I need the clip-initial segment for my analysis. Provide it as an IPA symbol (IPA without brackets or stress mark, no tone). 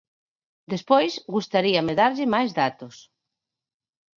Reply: d̪